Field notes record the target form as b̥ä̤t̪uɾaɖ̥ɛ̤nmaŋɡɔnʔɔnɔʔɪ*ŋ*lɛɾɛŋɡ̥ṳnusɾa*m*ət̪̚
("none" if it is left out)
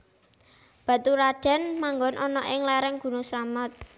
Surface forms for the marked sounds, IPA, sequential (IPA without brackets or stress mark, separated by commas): ŋ, m